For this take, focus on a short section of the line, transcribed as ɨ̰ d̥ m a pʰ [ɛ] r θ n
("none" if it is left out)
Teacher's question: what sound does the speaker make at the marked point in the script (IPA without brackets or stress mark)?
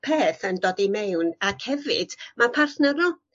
a